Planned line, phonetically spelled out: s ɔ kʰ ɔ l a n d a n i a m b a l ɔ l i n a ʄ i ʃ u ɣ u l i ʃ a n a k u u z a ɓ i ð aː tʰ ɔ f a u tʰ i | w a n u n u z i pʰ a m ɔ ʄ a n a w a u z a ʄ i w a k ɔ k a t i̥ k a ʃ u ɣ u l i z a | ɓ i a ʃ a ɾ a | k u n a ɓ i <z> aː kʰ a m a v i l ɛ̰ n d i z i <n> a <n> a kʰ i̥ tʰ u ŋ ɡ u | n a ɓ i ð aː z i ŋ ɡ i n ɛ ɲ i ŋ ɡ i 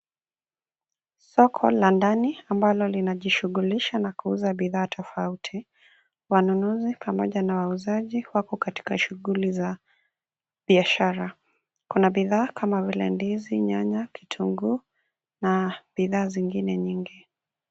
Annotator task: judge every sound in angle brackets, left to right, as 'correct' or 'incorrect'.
incorrect, incorrect, incorrect

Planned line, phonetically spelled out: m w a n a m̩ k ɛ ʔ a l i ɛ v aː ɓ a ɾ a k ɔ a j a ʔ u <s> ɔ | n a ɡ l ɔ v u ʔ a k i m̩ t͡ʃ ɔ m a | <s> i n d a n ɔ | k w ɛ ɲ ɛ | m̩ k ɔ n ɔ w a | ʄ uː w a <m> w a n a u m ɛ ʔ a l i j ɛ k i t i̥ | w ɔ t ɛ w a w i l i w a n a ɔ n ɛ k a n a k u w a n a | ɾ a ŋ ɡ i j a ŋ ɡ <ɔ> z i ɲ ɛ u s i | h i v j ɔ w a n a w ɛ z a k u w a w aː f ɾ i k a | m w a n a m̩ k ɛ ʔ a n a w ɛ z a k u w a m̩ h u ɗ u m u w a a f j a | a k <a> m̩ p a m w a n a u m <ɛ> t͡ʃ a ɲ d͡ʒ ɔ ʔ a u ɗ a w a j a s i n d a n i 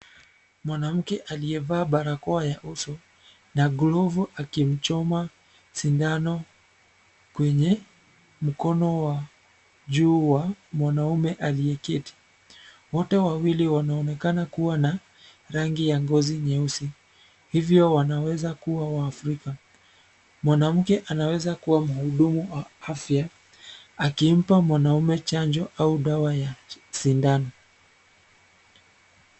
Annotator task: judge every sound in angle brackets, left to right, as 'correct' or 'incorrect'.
correct, correct, correct, correct, incorrect, correct

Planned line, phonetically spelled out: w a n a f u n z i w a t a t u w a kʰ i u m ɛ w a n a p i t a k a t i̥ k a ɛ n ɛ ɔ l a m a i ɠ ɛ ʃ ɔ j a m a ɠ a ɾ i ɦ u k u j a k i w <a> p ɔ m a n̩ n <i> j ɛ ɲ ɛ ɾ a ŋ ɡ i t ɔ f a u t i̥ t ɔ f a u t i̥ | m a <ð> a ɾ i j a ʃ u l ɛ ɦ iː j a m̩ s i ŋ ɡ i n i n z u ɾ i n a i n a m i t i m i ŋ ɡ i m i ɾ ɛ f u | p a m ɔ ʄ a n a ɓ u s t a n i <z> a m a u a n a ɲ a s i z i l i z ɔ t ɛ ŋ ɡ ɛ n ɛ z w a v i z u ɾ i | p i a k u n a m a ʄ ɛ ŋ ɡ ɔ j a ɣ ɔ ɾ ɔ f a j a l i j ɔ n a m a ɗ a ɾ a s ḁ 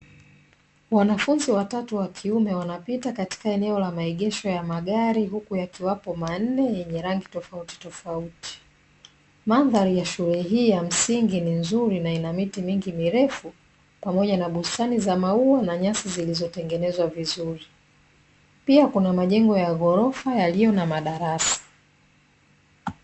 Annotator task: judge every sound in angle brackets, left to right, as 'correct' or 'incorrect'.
correct, incorrect, correct, correct

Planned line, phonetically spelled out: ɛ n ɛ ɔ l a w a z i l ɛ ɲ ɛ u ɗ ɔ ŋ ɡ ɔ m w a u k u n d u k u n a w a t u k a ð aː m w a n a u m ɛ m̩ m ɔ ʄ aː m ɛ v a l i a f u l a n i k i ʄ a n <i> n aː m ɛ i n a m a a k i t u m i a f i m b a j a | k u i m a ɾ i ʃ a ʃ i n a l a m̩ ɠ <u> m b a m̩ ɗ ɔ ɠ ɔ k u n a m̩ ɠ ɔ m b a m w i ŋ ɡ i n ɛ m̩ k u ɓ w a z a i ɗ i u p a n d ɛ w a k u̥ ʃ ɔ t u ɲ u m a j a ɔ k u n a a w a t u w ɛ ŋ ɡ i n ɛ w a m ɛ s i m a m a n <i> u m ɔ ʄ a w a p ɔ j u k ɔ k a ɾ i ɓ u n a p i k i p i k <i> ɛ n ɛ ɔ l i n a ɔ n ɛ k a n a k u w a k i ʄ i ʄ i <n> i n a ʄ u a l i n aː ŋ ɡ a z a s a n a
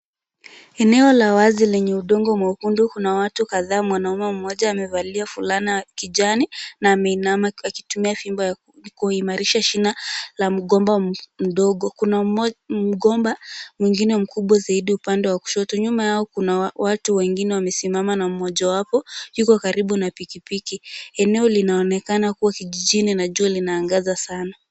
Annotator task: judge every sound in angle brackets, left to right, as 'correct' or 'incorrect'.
correct, incorrect, incorrect, correct, correct

